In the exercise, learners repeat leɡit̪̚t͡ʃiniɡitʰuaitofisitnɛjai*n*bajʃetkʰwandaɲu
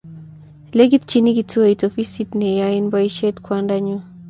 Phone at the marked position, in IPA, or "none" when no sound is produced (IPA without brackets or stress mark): n